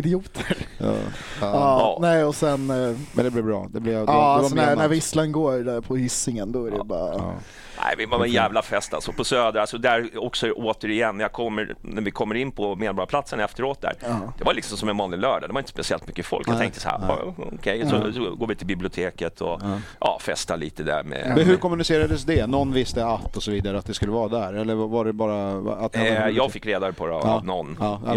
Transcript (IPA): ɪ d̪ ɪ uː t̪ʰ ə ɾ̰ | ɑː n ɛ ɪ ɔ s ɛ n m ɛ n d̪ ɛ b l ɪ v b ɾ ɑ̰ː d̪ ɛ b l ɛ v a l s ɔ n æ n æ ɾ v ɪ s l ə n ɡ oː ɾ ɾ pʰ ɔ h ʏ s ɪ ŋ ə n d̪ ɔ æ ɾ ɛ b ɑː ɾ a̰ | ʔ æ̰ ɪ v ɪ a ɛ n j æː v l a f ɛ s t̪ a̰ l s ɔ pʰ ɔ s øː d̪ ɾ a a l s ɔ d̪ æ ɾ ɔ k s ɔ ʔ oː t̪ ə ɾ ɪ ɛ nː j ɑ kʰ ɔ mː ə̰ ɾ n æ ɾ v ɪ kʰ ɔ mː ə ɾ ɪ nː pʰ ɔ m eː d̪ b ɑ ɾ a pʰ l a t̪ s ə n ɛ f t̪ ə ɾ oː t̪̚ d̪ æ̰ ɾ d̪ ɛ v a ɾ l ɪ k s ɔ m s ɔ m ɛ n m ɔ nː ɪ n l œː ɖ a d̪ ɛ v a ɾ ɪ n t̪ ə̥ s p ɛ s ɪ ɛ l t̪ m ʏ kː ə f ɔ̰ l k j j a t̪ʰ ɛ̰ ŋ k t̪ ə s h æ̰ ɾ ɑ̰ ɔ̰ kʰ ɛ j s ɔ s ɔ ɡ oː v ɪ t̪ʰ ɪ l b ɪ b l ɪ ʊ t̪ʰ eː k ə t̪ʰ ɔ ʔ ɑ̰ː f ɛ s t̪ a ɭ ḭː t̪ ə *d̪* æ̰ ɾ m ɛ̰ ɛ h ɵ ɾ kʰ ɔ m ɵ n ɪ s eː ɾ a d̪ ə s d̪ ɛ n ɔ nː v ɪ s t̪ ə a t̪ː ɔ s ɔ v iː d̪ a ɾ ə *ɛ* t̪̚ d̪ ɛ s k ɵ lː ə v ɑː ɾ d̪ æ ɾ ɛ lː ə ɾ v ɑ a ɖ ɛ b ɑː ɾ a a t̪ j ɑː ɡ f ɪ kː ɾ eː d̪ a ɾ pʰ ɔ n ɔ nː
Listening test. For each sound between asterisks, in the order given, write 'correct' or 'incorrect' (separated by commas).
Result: correct, incorrect